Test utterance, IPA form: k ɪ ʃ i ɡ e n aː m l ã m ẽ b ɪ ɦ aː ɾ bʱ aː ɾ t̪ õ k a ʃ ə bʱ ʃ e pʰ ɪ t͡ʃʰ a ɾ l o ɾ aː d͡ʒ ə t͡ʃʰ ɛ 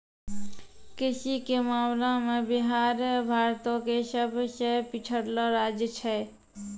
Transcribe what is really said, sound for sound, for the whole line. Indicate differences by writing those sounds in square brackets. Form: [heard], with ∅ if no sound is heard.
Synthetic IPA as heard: k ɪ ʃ i [k] e [m] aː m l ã m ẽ b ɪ ɦ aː ɾ bʱ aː ɾ t̪ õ k [e] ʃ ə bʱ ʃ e [p] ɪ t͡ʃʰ [ə] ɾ l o ɾ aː d͡ʒ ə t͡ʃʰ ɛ